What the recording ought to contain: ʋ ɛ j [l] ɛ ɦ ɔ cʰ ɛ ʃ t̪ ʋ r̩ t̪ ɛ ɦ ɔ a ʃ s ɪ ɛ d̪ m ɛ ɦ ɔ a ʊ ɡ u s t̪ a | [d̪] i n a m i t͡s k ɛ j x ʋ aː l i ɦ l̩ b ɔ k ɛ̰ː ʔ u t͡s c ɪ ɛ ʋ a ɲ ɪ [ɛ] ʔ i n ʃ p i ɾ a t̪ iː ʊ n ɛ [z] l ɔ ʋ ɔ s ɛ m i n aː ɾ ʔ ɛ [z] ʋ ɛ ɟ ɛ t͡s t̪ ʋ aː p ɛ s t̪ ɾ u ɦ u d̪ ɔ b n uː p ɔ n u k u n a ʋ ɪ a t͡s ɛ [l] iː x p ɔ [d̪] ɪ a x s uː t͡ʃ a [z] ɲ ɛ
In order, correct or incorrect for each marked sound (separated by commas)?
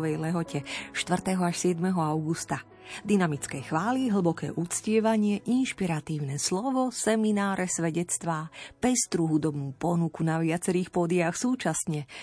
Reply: correct, correct, correct, incorrect, incorrect, incorrect, correct, incorrect